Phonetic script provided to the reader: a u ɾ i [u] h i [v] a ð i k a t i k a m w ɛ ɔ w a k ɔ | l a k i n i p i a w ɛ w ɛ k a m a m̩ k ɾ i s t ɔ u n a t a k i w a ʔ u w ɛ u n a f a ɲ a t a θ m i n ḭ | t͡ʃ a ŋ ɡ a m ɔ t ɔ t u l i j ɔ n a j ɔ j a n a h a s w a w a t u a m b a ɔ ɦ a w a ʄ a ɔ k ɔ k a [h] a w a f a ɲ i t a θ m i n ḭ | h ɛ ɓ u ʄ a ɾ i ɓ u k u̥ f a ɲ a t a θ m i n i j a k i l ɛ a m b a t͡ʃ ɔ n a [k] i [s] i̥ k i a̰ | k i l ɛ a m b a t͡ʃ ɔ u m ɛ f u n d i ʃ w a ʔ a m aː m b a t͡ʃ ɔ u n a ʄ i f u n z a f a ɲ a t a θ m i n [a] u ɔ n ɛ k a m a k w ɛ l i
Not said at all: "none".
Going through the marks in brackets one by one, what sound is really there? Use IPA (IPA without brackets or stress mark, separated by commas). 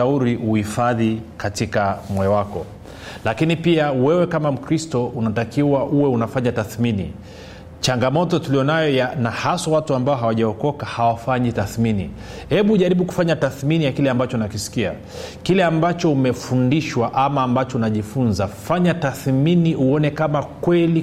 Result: u, f, h, k, s, i